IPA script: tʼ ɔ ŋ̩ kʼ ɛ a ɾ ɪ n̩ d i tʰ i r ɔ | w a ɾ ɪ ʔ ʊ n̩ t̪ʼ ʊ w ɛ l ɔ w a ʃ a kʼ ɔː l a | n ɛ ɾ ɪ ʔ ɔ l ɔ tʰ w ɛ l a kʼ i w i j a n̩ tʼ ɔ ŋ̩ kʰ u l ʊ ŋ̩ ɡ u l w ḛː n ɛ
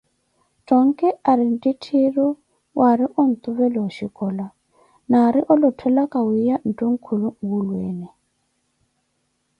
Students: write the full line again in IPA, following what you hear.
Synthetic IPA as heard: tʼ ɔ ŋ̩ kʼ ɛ a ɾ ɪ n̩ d i tʰ i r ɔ | w a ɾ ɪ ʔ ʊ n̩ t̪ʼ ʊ β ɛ l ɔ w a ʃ i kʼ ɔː l a | n a ɾ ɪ ʔ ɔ l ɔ tʰ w ɛ l a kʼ a w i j a n̩ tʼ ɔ ŋ̩ kʰ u l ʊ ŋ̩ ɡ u l w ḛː n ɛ